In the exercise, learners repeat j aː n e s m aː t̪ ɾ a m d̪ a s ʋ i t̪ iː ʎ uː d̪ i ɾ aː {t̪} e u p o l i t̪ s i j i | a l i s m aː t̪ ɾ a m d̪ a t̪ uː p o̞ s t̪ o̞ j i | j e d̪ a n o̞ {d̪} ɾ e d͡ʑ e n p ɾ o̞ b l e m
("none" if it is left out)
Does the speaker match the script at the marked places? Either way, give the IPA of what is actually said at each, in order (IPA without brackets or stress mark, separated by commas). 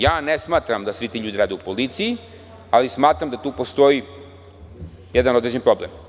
d̪, d̪